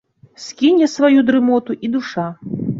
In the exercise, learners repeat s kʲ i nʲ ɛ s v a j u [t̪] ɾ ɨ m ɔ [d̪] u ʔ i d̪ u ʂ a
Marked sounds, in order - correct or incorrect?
incorrect: d̪, incorrect: t̪

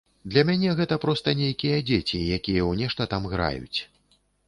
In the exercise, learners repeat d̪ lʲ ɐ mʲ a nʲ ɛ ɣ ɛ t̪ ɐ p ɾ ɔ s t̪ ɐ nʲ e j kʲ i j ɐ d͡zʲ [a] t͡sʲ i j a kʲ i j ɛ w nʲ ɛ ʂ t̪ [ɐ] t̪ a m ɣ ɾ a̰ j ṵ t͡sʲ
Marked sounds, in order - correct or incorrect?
incorrect: e, correct

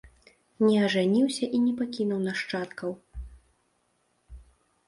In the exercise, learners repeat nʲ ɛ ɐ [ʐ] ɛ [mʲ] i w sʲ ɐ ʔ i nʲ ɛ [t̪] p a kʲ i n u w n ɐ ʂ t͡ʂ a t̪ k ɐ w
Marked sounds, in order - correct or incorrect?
correct, incorrect: nʲ, incorrect: none

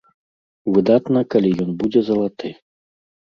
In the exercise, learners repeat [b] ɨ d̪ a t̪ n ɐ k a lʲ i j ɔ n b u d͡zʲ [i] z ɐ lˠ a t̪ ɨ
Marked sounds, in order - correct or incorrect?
incorrect: v, incorrect: ɛ

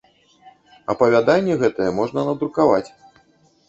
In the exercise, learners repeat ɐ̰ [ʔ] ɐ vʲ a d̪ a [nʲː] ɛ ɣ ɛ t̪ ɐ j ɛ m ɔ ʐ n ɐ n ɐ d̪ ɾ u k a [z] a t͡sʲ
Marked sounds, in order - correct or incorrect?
incorrect: p, correct, incorrect: v

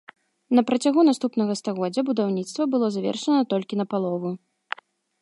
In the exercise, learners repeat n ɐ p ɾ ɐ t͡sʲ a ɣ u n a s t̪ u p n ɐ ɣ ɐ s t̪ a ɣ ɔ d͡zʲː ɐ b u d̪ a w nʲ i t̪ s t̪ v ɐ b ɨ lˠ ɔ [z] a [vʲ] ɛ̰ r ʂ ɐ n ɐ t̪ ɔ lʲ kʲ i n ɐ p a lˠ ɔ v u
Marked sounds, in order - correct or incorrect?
correct, correct

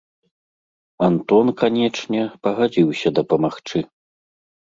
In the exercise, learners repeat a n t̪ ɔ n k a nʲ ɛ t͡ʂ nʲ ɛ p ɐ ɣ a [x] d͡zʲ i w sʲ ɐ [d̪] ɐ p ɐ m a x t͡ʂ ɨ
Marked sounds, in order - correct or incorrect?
incorrect: none, correct

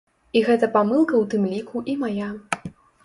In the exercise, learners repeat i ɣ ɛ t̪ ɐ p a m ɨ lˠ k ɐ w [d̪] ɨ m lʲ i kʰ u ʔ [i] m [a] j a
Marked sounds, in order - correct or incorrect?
incorrect: t̪, correct, correct

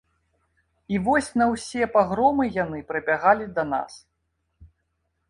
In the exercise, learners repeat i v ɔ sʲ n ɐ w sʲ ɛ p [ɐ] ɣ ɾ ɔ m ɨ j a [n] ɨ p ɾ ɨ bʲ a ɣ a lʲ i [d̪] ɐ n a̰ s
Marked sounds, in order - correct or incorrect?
incorrect: a, correct, correct

